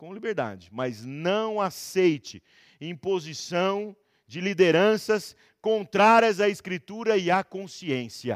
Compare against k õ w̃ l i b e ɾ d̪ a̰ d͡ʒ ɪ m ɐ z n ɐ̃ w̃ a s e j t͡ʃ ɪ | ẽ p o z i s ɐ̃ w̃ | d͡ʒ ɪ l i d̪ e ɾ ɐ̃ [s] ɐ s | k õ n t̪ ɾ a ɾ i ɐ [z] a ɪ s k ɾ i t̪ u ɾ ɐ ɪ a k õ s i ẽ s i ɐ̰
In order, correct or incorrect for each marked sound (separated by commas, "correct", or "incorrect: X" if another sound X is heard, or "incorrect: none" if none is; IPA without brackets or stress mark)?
correct, correct